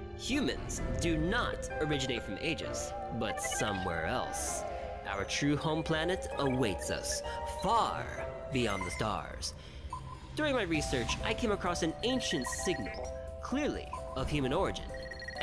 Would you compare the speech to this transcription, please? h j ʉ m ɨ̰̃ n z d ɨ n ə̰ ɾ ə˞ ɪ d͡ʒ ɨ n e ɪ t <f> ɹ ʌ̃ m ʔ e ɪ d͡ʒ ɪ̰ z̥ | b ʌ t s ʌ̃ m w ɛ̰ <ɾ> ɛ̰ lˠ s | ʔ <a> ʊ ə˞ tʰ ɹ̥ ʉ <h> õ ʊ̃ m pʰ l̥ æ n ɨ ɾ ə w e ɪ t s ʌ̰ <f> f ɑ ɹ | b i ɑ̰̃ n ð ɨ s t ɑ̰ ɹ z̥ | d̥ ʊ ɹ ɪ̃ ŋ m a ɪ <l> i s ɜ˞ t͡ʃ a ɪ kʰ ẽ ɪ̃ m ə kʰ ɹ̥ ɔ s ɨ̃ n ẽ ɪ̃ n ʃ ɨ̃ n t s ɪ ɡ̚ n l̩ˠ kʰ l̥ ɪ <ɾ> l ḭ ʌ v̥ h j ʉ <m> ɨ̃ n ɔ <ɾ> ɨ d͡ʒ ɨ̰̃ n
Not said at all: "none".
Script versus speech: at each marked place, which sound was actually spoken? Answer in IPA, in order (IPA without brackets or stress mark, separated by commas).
f, ɹ, a, h, s, ɹ, ɹ, m, ɹ